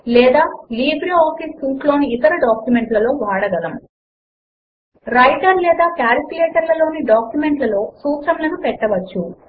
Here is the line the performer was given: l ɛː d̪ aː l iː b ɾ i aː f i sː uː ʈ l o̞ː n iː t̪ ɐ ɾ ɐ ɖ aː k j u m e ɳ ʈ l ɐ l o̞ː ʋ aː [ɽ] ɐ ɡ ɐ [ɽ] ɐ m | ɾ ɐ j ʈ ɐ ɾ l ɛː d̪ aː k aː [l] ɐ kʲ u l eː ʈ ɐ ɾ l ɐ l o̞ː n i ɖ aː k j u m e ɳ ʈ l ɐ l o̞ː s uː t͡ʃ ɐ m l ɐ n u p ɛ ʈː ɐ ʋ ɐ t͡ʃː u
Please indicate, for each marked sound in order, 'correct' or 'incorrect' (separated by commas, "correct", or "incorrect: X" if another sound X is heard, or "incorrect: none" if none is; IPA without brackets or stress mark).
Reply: correct, incorrect: l, incorrect: ɾ